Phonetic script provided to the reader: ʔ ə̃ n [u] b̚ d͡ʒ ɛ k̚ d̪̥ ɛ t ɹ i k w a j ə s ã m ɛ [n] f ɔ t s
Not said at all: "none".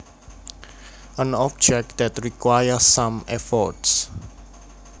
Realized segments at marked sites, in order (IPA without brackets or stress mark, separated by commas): ɔ, none